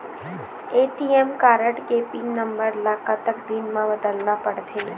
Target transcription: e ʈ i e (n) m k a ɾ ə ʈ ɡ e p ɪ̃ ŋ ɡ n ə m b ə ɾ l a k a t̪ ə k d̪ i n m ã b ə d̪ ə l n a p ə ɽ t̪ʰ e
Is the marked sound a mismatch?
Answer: yes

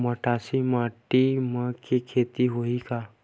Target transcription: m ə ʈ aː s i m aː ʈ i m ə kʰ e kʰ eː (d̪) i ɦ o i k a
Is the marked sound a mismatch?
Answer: yes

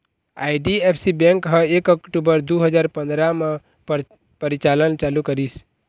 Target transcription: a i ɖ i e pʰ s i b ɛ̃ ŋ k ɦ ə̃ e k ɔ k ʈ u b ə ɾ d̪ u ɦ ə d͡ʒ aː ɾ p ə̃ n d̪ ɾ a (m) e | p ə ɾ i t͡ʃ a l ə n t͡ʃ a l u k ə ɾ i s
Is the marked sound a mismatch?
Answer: no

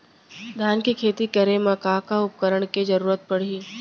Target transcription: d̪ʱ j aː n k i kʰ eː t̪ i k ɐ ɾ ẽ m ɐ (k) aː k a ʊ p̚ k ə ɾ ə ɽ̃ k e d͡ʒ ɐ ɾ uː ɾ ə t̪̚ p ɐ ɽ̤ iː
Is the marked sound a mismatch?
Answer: no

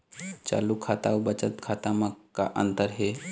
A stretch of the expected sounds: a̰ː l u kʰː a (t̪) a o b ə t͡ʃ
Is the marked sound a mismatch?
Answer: no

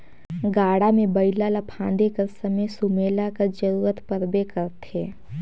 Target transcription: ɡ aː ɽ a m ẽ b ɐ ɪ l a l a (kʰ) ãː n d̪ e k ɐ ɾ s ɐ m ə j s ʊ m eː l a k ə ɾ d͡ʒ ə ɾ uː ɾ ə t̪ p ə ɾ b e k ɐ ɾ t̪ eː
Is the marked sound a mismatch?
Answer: yes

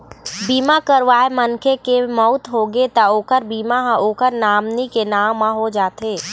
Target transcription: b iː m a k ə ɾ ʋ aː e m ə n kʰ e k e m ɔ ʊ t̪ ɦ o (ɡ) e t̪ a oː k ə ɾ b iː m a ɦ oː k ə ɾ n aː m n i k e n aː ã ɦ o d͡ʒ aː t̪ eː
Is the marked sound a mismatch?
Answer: no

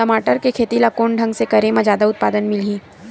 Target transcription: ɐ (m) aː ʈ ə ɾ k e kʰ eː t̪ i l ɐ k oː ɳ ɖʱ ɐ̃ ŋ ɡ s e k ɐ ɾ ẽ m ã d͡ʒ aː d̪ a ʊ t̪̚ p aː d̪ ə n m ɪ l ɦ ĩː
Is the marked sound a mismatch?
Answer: no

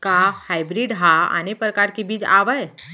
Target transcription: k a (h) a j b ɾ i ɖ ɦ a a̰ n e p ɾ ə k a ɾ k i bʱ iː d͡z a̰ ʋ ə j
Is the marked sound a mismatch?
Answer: no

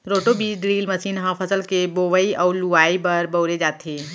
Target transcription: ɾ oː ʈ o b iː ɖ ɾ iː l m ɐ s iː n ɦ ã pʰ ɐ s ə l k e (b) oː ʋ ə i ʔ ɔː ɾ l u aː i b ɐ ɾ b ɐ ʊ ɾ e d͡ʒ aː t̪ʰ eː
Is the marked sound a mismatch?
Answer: no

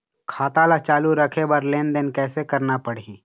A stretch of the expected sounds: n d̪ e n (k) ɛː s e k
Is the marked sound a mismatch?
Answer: no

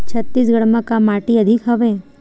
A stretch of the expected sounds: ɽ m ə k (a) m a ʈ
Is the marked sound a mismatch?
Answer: no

